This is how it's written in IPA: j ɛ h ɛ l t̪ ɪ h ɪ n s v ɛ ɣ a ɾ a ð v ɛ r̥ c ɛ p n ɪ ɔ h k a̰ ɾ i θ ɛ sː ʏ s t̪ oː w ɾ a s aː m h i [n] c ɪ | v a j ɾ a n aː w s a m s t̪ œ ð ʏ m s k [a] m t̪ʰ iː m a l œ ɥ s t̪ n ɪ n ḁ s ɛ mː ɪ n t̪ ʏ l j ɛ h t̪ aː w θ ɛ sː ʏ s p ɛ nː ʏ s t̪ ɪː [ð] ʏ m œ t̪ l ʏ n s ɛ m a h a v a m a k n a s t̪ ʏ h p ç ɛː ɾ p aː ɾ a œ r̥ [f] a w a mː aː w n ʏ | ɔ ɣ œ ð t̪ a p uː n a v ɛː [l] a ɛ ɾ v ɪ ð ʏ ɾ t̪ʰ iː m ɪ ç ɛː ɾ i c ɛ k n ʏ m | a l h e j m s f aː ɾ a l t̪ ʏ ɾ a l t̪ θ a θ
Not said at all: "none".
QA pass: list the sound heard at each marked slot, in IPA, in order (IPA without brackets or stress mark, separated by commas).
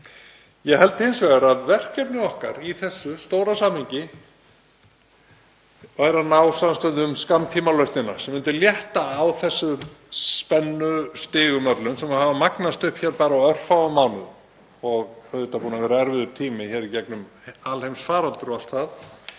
ɲ, a, ɣ, f, ɾ